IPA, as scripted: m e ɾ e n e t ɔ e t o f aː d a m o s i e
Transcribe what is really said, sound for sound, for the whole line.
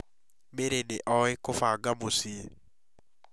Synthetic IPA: m e ɾ e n e ʔ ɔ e k o f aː ɡ a m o s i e